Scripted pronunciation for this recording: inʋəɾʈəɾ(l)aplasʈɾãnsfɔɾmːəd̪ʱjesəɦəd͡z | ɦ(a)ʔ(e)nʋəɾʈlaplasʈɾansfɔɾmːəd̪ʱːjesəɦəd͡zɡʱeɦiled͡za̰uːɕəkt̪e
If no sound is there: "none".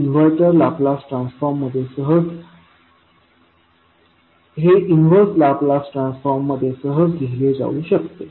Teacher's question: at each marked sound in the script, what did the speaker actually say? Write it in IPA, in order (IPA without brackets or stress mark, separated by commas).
l, e, i